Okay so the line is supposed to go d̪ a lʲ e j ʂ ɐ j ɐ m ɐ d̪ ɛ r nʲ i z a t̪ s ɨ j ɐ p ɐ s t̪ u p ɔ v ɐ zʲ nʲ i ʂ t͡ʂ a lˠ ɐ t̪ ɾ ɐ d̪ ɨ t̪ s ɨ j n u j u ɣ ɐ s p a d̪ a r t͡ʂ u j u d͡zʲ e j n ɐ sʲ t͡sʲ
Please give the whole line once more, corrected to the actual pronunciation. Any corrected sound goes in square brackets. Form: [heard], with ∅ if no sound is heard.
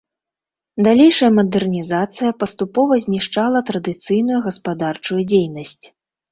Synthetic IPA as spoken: d̪ a lʲ e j ʂ ɐ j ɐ m ɐ d̪ ɛ r nʲ i z a t̪ s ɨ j ɐ p ɐ s t̪ u p ɔ v ɐ zʲ nʲ i ʂ t͡ʂ a lˠ ɐ t̪ ɾ ɐ d̪ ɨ t̪ s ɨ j n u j u ɣ ɐ s p a d̪ a r t͡ʂ u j u d͡zʲ e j n ɐ sʲ t͡sʲ